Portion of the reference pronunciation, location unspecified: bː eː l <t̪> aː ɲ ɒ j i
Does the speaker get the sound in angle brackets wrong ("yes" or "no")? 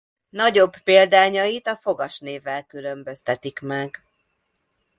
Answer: yes